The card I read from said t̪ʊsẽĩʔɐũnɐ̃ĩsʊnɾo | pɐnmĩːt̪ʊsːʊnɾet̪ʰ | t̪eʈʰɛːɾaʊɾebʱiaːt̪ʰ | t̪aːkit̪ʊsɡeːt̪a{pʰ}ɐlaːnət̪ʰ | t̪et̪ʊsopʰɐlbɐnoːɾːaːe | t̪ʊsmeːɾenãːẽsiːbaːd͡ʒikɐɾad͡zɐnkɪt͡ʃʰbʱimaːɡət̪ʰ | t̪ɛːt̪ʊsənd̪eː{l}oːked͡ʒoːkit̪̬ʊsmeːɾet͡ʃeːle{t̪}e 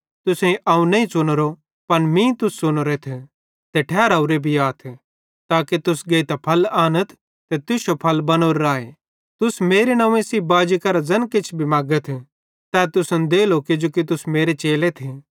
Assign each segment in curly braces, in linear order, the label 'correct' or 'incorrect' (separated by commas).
correct, correct, incorrect